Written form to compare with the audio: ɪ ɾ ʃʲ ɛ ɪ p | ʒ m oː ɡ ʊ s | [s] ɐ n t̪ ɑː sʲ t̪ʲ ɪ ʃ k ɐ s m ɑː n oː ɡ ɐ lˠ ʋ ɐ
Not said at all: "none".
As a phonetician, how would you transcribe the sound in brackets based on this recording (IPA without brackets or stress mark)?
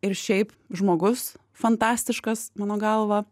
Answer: f